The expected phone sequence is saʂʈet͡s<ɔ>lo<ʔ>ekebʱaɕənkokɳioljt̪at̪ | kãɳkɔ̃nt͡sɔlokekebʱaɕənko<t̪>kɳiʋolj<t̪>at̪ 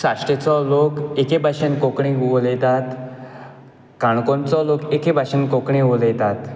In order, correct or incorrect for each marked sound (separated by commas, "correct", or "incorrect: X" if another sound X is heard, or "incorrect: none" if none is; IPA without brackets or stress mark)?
correct, incorrect: k, incorrect: none, correct